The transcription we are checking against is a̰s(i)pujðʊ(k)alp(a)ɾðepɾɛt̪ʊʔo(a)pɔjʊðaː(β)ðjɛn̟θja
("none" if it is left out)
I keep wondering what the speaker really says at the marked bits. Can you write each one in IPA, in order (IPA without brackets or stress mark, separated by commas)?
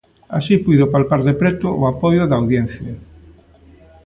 i, p, a, a, w